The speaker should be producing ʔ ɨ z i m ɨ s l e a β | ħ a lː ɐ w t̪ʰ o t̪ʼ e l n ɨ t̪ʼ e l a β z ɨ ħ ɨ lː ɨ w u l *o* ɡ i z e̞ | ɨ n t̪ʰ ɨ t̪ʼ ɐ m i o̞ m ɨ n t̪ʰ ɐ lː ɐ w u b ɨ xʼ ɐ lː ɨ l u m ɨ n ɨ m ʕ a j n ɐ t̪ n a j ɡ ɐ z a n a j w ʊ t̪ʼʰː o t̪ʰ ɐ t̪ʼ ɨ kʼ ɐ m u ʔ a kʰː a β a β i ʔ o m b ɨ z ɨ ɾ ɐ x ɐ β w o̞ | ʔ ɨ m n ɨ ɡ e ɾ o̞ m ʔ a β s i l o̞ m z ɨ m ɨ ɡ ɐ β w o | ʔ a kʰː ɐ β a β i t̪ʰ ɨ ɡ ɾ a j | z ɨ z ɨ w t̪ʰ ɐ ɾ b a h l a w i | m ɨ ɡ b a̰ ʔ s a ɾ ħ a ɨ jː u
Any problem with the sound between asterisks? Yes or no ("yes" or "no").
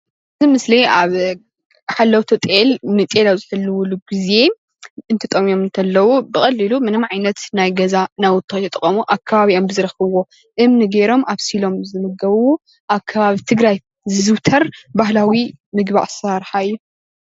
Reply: yes